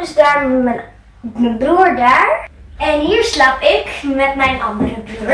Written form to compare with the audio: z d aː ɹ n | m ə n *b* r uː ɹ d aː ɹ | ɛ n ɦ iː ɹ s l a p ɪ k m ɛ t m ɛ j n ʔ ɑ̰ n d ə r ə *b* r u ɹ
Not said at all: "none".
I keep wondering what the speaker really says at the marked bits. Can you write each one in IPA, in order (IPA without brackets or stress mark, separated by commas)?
b, b